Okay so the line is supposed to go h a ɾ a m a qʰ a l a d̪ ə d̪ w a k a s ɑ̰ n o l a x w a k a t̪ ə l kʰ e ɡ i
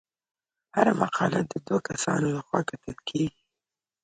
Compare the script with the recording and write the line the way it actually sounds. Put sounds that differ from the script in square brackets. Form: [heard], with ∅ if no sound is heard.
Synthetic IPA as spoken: h a ɾ a m a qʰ [ɑ] l a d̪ ə d̪ w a k a s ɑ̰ n o l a x w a k a t̪ ə l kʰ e ɡ i

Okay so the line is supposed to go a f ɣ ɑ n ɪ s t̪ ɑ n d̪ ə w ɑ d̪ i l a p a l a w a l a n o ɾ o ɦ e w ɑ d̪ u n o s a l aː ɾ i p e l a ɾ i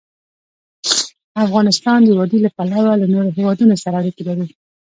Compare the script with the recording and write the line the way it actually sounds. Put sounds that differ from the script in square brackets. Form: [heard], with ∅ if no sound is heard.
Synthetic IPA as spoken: a f ɣ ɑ n ɪ s t̪ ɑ n d̪ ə w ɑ d̪ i l a p a l a w a l a n o ɾ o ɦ e w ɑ d̪ u n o s a [ɾ] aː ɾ i [k] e l a ɾ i

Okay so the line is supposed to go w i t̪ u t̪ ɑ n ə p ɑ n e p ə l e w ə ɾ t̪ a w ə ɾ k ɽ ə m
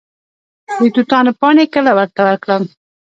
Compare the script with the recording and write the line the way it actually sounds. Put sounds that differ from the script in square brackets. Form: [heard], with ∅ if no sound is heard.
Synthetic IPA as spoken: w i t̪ u t̪ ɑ n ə p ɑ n e [k] ə l [a] w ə ɾ t̪ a w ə ɾ k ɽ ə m

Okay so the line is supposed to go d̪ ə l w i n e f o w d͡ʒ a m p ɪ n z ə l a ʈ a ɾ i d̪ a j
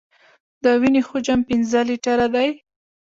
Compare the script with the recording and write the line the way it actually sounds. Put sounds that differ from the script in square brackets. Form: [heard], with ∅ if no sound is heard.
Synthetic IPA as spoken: d̪ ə [∅] w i n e [x] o [∅] d͡ʒ a m p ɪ n z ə l [i] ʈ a ɾ [a] d̪ a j

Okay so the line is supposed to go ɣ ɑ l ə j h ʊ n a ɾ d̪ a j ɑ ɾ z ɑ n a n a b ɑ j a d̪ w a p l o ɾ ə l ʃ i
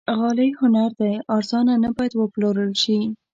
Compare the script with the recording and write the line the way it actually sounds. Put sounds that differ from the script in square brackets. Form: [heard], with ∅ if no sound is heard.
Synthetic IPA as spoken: ɣ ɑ l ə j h ʊ n a ɾ d̪ a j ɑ ɾ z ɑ n a n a b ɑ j a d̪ w [ə] p l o ɾ ə l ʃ i

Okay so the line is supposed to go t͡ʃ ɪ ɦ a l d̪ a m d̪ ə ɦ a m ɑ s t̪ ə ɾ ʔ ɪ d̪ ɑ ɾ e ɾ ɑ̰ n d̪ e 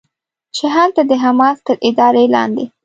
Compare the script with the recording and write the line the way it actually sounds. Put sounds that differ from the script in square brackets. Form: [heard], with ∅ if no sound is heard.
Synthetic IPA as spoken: t͡ʃ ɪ ɦ a l [t̪] a [∅] d̪ ə ɦ a m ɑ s t̪ ə ɾ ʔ ɪ d̪ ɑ ɾ e [l] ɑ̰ n d̪ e

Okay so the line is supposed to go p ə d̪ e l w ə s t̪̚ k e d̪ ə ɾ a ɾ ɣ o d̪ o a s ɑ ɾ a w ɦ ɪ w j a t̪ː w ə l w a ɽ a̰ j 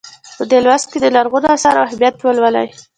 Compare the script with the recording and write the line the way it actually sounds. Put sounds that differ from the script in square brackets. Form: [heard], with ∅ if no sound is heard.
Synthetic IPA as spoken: p ə d̪ e l w [a] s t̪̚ k e d̪ ə [l] a ɾ ɣ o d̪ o a s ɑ ɾ a w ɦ ɪ [b] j a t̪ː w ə l w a [l] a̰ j

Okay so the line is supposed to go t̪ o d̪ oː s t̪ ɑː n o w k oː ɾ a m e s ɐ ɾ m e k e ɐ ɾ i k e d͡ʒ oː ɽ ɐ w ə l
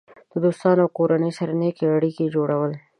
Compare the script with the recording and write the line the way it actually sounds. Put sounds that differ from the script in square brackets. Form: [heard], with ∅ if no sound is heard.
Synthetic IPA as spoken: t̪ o d̪ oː s t̪ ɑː n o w k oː ɾ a [n] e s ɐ ɾ [n] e k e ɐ [ɽ] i k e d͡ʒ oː ɽ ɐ w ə l

